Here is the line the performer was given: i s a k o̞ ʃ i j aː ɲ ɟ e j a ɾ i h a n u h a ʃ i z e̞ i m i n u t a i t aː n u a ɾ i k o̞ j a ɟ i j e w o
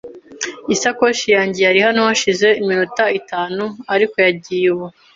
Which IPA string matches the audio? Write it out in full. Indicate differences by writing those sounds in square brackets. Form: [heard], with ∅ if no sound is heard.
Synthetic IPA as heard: i s a k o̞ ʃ i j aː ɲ ɟ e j a ɾ i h a n [o] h a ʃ i z e̞ i m i n u t a i t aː n u a ɾ i k o̞ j a ɟ i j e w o